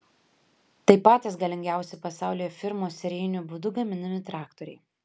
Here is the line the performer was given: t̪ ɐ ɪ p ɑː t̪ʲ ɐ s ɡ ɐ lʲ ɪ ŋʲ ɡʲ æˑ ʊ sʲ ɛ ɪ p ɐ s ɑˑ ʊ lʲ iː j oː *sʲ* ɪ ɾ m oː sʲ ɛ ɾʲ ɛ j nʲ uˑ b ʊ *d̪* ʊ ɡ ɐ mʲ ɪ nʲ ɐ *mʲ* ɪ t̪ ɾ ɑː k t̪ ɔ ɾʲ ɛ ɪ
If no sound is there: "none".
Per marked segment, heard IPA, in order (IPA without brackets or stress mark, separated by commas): fʲ, d̪, mʲ